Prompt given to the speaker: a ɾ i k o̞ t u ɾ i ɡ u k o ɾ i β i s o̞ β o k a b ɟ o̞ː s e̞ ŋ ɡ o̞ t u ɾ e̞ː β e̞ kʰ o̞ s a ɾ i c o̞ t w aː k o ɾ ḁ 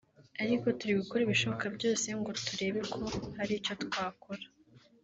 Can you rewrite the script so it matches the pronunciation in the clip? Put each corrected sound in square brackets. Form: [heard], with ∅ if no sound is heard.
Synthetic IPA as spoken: a ɾ i k o̞ t u ɾ i ɡ u k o ɾ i β i [ʃ] o̞ β o k a b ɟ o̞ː s e̞ ŋ ɡ o̞ t u ɾ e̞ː β e̞ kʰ o̞ [h] a ɾ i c o̞ t w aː k o ɾ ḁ